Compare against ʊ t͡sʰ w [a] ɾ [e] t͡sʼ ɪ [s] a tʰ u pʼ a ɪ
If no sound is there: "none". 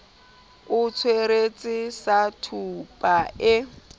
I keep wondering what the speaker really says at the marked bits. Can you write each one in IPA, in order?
e, e, s

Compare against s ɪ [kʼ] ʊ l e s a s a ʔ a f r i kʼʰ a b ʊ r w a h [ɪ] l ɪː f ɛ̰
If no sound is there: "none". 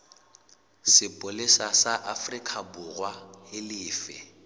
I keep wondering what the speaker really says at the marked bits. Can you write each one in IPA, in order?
pʼ, ɪ

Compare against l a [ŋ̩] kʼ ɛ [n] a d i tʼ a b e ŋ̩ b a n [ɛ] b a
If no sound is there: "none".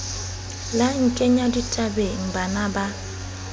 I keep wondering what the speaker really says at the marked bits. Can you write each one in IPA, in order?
ŋ̩, ɲ, a

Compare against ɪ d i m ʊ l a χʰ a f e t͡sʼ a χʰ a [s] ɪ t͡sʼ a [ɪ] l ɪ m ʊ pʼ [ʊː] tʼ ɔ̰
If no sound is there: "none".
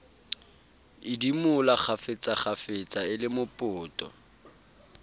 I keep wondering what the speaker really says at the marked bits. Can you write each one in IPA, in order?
f, ɪ, ʊː

